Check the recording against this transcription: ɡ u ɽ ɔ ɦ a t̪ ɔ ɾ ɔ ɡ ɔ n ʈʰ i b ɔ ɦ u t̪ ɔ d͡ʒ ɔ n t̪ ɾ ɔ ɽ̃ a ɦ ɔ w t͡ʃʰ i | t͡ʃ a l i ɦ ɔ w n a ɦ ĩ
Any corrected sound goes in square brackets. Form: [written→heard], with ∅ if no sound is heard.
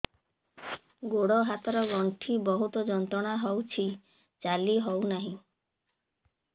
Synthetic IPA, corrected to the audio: ɡ [u→o] ɽ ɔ ɦ a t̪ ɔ ɾ ɔ ɡ ɔ [n→ɳ] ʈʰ i b ɔ ɦ u t̪ ɔ d͡ʒ ɔ n t̪ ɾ ɔ ɽ̃ a ɦ ɔ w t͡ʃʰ i | t͡ʃ a l i ɦ ɔ w n a ɦ ĩ